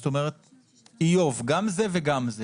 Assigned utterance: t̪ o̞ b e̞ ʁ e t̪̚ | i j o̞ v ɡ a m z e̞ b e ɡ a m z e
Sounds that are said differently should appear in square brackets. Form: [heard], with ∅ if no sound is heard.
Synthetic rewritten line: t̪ o̞ [m] e̞ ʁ e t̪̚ | i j o̞ v ɡ a m z e̞ [v] e ɡ a m z e